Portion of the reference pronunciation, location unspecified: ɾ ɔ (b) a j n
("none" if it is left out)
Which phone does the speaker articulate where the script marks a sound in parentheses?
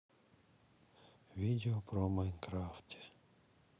m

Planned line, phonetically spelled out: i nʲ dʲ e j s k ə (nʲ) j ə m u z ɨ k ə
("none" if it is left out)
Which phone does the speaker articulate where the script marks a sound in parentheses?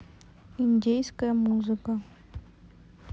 none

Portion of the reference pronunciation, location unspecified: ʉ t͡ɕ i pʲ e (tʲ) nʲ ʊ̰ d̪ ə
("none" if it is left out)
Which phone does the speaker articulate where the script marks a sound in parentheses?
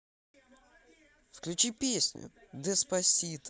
sʲ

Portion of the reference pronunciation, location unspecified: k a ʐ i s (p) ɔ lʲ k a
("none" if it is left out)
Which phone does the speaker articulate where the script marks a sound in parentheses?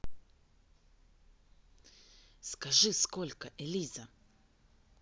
k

